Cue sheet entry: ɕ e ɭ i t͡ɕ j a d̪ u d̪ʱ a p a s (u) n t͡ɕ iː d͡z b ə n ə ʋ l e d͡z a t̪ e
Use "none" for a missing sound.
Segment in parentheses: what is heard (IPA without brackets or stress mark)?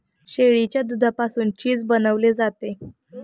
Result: uː